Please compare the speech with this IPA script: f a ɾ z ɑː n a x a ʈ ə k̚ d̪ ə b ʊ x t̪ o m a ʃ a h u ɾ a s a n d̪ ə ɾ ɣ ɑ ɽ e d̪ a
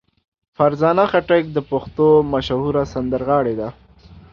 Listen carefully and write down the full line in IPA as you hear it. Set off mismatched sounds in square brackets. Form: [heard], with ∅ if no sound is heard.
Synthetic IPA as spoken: f a ɾ z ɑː n a x a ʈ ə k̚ d̪ ə [p] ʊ x t̪ o m a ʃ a h u ɾ a s a n d̪ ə ɾ ɣ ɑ ɽ e d̪ a